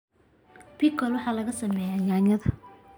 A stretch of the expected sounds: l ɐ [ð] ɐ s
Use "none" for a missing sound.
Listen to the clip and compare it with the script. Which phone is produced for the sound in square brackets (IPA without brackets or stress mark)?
ɣ